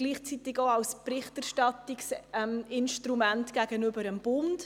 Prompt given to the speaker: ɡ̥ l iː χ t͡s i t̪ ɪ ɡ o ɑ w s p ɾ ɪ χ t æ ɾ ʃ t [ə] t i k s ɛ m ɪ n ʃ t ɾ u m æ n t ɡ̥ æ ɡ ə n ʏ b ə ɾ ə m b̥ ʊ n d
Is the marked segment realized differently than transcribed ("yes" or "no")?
yes